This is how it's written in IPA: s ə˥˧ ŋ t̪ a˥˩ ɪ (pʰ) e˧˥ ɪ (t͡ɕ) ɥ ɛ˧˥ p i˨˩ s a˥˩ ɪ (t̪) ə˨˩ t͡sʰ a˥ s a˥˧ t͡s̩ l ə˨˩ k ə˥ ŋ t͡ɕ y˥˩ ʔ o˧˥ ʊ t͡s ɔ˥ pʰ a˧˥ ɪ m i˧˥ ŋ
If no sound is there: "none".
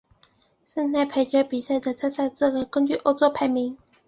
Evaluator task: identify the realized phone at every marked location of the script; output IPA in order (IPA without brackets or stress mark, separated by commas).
pʰ, t͡ɕ, d̪